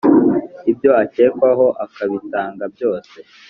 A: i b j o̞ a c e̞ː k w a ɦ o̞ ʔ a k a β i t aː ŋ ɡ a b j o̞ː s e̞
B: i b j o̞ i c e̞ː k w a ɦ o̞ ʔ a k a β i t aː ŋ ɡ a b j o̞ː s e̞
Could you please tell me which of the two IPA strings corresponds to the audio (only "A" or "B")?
A